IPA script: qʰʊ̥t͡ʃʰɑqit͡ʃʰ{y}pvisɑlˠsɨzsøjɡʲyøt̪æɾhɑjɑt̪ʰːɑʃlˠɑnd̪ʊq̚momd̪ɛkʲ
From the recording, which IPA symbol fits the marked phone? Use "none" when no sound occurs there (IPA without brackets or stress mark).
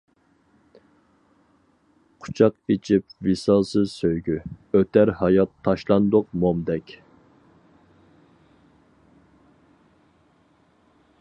i